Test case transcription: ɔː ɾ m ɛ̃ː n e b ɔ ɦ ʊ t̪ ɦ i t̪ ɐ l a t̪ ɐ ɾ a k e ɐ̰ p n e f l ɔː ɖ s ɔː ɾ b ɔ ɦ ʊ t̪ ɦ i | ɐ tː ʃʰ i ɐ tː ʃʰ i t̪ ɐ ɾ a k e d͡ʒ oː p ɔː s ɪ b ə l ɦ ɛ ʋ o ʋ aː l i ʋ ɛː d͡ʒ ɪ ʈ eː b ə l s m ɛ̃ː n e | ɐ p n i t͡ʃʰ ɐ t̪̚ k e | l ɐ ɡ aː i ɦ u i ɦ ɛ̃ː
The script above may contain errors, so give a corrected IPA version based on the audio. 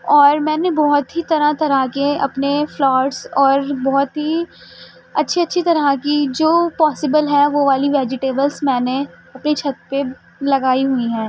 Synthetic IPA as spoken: ɔː ɾ m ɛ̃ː n e b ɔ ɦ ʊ t̪ ɦ i t̪ ɐ ɾ a t̪ ɐ ɾ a k e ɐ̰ p n e f l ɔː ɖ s ɔː ɾ b ɔ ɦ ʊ t̪ ɦ i | ɐ tː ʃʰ i ɐ tː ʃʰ i t̪ ɐ ɾ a k i d͡ʒ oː p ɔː s ɪ b ə l ɦ ɛ ʋ o ʋ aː l i ʋ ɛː d͡ʒ ɪ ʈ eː b ə l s m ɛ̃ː n e | ɐ p n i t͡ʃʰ ɐ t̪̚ p e | l ɐ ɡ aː i ɦ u i ɦ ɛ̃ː

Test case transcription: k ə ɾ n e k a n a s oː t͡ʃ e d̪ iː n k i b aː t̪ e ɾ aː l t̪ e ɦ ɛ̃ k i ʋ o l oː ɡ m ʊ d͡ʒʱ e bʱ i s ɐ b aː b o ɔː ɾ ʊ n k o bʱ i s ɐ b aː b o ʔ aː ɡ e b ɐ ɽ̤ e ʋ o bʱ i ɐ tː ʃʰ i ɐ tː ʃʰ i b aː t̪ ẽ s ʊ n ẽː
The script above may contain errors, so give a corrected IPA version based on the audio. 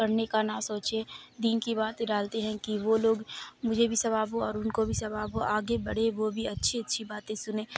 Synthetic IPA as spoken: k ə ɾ n e k a n a s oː t͡ʃ e d̪ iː n k i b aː t̪ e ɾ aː l t̪ e ɦ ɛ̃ k i ʋ o l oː ɡ m ʊ d͡ʒʱ e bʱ i s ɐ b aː b o ɔː ɾ ʊ n k o bʱ i s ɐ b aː b o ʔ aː ɡ e b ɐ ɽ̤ e ʋ o bʱ i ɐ tː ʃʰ i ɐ tː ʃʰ i b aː t̪ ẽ s ʊ n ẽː

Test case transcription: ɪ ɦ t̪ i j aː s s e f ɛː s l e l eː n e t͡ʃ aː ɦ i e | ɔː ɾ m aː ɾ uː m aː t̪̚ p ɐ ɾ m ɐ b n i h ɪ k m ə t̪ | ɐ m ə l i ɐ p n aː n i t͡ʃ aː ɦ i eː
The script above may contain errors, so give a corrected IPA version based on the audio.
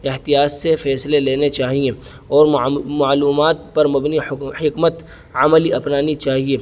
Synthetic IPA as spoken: ɪ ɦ t̪ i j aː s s e f ɛː s l e l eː n e t͡ʃ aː ɦ i e | ɔː ɾ m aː l uː m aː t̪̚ p ɐ ɾ m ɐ b n i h ɪ k m ə t̪ | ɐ m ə l i ɐ p n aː n i t͡ʃ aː ɦ i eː

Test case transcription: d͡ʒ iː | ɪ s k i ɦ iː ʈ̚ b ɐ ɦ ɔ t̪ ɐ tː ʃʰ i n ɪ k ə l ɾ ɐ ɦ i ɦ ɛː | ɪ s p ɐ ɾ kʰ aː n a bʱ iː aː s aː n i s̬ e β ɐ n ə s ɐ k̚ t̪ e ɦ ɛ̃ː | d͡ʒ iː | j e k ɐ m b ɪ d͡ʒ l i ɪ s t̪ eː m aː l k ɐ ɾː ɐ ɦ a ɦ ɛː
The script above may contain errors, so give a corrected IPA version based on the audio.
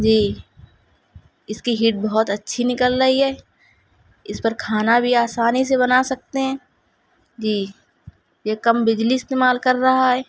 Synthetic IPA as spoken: d͡ʒ iː | ɪ s k i ɦ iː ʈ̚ b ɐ ɦ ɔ t̪ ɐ tː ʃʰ i n ɪ k ə l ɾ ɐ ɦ i ɦ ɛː | ɪ s p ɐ ɾ kʰ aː n a bʱ i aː s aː n i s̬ e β ɐ n a s ɐ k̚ t̪ e ɦ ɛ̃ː | d͡ʒ iː | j e k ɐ m b ɪ d͡ʒ l i ɪ s t̪ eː m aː l k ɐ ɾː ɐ ɦ a ɦ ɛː

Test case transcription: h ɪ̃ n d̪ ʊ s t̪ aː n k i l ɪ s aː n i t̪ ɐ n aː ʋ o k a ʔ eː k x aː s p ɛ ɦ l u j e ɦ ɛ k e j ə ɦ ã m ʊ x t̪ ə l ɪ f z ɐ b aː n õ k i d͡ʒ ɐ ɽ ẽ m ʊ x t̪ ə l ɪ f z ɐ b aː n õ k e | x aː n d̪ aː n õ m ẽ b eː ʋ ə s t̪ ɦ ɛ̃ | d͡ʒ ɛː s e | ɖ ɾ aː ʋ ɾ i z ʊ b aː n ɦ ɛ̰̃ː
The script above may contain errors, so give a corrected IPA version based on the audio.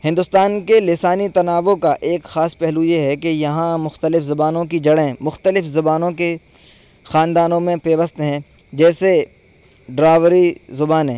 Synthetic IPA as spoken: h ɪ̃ n d̪ ʊ s t̪ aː n k e l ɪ s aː n i t̪ ɐ n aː ʋ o k a ʔ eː k x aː s p ɛ ɦ l u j e ɦ ɛ k e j ɐ ɦ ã m ʊ x t̪ ə l ɪ f z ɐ b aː n õ k i d͡ʒ ɐ ɽ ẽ m ʊ x t̪ ə l ɪ f z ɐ b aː n õ k e | x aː n d̪ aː n õ m ẽ p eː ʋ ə s t̪ ɦ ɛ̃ | d͡ʒ ɛː s e | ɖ ɾ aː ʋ ɾ i z ʊ b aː n ɦ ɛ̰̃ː

